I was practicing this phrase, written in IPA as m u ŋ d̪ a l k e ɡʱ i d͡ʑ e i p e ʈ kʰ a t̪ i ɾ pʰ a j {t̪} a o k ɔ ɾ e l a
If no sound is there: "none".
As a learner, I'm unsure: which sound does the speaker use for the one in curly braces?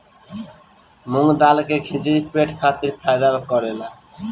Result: d̪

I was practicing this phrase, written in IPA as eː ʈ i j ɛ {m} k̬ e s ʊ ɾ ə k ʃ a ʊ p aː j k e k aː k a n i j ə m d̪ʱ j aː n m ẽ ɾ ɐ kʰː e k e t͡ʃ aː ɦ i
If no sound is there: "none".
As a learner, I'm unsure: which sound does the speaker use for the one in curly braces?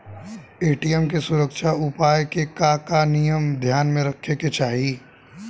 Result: m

